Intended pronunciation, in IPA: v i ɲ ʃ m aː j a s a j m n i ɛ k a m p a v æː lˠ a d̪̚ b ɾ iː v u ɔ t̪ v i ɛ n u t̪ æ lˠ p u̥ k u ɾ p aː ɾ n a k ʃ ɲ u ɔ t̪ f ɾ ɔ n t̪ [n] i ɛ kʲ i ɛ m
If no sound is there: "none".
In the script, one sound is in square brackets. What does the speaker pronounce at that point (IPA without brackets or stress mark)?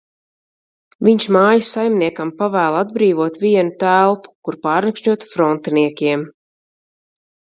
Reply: n